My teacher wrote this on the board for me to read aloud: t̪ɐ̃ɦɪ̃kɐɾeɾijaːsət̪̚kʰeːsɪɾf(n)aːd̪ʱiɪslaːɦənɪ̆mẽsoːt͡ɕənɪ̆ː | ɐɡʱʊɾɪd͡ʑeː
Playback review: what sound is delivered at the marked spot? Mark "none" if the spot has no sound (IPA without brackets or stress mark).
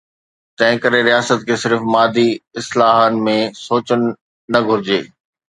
m